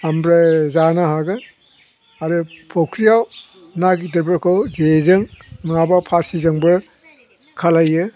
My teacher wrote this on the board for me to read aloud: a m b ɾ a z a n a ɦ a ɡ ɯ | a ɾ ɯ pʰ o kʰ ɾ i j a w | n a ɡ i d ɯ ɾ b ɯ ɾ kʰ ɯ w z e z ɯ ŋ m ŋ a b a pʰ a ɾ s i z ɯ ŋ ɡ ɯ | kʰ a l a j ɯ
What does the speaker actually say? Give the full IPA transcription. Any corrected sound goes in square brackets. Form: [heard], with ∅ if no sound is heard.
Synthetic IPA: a m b ɾ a z a n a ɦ a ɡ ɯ | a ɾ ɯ pʰ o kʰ ɾ i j a w | n a ɡ i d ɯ ɾ b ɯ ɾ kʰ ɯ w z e z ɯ ŋ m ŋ a b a pʰ a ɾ s i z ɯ ŋ [b] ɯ | kʰ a l a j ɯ